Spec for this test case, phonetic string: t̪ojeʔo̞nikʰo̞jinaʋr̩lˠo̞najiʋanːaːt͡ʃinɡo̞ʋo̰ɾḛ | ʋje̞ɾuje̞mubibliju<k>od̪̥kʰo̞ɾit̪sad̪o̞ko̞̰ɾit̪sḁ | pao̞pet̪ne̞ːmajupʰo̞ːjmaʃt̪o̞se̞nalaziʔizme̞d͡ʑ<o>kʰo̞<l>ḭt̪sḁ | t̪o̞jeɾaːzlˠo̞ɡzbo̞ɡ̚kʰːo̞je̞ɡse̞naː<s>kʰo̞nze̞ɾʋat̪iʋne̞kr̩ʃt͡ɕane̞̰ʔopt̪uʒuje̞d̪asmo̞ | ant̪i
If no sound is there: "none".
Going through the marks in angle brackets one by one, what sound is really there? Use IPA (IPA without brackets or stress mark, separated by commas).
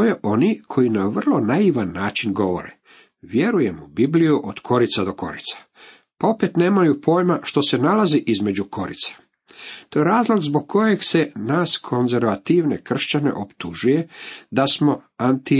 ʔ, u, ɾ, s